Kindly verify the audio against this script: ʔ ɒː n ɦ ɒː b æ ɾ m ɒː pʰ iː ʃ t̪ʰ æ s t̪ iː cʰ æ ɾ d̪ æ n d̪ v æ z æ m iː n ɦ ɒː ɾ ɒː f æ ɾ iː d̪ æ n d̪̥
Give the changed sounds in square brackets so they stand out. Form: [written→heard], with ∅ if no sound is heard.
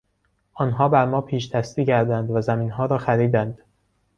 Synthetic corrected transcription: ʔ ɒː n ɦ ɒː b æ ɾ m ɒː pʰ iː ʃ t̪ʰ æ s t̪ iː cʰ æ ɾ d̪ æ n d̪ v æ z æ m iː n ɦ ɒː ɾ ɒː [f→x] æ ɾ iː d̪ æ n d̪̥